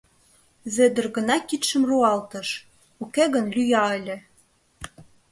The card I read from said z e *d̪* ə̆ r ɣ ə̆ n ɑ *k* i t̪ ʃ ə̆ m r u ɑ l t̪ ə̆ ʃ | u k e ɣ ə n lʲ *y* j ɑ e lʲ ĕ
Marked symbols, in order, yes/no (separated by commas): yes, yes, yes